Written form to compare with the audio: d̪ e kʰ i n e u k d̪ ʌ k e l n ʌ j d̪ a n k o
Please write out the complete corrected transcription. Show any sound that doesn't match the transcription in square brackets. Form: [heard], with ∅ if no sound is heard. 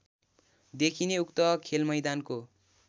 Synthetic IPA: d̪ e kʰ i n e u k [t̪] ʌ [kʰ] e l [m] ʌ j d̪ a n k o